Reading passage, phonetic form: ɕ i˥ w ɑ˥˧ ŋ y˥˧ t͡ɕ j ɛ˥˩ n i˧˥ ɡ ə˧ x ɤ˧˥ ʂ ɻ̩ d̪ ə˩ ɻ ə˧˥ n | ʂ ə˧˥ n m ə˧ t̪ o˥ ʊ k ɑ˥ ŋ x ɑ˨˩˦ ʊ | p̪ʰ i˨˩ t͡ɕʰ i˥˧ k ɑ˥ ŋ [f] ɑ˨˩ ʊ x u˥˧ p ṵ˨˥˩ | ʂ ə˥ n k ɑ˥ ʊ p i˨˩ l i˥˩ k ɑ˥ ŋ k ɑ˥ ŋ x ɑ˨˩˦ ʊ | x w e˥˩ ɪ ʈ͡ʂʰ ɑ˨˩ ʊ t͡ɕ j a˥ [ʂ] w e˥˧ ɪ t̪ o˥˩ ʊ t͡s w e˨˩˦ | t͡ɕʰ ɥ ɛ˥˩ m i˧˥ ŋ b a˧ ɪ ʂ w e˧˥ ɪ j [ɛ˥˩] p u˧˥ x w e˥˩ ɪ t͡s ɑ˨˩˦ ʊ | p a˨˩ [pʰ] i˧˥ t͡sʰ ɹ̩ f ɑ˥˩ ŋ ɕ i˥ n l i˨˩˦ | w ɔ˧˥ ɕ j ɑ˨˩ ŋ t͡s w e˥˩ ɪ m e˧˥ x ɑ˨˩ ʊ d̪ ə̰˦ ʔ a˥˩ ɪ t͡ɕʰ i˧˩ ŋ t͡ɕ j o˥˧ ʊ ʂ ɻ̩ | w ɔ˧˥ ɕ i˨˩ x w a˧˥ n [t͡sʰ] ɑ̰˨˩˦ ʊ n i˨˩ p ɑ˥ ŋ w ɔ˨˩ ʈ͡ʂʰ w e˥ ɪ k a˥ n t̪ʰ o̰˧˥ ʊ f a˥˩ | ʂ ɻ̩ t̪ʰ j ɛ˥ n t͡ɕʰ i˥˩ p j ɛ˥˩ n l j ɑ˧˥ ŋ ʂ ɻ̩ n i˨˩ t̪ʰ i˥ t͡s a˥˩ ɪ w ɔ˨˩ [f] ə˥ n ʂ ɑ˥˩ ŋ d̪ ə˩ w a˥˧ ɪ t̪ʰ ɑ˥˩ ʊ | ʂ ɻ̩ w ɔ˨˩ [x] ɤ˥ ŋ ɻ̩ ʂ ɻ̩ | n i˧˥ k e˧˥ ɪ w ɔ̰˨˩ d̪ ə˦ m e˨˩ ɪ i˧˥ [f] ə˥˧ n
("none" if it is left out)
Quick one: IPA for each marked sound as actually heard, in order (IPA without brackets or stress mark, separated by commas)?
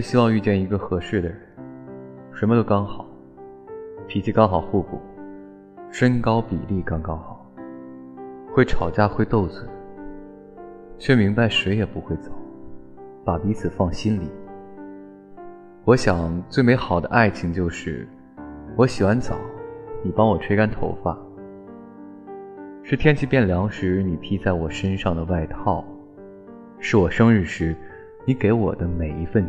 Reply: x, x, ɛ˨˩, p, t͡s, ʂ, ʂ, f